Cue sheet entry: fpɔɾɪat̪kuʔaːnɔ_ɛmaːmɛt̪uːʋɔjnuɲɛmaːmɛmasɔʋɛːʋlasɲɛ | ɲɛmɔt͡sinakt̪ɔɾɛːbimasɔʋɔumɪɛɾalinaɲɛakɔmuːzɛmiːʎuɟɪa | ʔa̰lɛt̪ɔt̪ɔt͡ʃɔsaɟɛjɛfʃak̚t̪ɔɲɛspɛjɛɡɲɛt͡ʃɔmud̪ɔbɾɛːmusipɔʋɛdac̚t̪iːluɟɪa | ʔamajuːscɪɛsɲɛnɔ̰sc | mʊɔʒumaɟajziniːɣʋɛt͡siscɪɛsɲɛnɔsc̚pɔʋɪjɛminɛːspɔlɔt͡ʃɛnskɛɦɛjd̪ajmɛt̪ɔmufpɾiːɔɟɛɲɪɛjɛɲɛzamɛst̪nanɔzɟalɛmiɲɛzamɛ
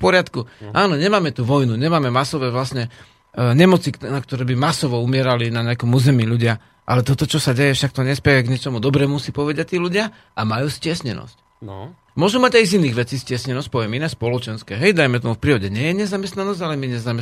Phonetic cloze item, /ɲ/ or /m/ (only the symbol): ɲ